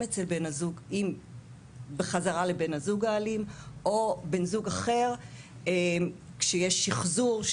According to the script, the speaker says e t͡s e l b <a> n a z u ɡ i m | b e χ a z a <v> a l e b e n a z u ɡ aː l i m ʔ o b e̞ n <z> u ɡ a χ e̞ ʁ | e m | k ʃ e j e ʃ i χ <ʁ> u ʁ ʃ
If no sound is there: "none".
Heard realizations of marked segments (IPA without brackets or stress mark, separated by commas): e, ʁ, z, z